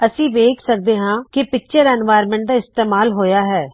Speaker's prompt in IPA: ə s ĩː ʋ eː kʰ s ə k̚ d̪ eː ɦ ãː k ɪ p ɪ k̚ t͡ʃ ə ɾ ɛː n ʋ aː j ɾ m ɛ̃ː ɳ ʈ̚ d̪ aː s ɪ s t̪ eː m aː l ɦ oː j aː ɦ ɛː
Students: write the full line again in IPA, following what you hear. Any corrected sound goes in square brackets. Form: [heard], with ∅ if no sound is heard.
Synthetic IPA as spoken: ə s ĩː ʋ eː kʰ s ə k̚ d̪ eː ɦ ãː k ɪ p ɪ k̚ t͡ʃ ə ɾ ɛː n ʋ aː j ɾ m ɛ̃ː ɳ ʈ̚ d̪ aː [∅] ɪ s t̪ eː m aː l ɦ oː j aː ɦ ɛː